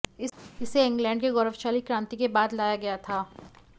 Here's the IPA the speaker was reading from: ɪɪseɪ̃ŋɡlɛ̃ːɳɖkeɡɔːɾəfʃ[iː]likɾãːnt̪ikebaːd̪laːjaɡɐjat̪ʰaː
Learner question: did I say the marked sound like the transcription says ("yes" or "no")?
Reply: no